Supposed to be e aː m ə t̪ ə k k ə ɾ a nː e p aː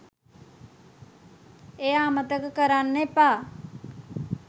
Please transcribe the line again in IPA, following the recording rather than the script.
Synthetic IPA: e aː m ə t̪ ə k k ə ɾ a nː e p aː

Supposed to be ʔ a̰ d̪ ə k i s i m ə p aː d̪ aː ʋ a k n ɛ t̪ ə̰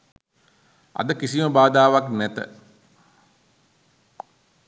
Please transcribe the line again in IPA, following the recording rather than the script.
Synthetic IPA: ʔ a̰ d̪ ə k i s i m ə b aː d̪ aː ʋ a k n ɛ t̪ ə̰

